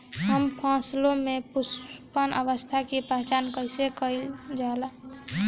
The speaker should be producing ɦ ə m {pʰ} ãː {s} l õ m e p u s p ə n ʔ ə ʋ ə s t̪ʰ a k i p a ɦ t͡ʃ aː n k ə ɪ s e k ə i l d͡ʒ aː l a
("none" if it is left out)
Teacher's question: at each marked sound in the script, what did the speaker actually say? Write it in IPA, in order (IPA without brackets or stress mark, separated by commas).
pʰ, s